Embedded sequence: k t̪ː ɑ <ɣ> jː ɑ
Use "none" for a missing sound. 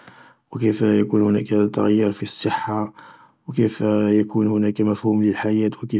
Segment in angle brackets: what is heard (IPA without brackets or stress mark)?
ɣ